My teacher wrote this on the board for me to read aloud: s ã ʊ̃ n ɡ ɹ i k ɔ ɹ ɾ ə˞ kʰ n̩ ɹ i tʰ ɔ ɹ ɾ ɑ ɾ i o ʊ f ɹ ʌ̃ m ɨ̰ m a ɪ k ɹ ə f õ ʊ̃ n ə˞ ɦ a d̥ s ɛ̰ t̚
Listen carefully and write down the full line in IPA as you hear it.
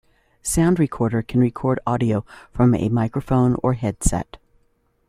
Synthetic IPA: s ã ʊ̃ n d ɹ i kʰ ɔ ɹ ɾ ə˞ kʰ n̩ ɹ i kʰ ɔ ɹ ɾ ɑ ɾ i o ʊ f ɹ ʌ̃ m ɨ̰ m a ɪ k ɹ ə f õ ʊ̃ n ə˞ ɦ ɛ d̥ s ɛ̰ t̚